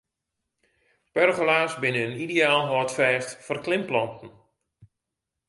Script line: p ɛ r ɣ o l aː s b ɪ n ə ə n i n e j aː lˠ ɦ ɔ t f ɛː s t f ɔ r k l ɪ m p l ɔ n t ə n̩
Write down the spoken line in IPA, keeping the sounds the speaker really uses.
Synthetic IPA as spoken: p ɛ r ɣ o l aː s b ɪ n ə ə n i d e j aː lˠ ɦ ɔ t f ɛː s t f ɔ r k l ɪ m p l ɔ n t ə n̩